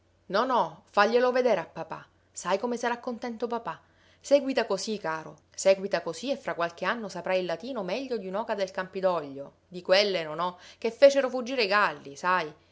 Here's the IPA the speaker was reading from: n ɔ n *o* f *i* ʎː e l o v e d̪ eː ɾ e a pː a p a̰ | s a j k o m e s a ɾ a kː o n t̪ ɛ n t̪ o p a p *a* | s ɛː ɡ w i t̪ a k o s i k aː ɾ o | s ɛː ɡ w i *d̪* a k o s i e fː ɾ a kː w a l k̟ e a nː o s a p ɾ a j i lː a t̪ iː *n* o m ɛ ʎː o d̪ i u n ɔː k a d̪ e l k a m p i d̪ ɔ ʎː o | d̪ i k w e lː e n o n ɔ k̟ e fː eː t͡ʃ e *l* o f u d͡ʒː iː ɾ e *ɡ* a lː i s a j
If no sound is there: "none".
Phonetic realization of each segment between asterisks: ɔ, a, a, t̪, n, ɾ, ɡ

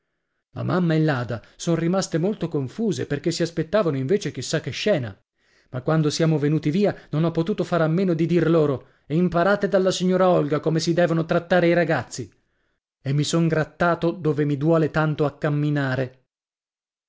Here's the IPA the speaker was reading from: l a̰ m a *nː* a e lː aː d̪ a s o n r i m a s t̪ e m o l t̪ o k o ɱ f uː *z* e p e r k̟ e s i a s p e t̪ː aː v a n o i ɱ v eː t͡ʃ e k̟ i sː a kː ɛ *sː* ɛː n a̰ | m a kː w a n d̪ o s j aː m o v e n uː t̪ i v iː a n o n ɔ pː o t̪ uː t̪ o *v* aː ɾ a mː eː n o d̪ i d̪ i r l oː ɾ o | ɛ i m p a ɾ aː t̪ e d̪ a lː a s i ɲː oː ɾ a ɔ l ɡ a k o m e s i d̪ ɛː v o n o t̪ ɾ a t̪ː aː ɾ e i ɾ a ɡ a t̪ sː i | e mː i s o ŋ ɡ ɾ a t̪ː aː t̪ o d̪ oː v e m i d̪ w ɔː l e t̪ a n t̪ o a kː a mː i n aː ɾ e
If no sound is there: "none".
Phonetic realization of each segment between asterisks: mː, z, ʃː, f

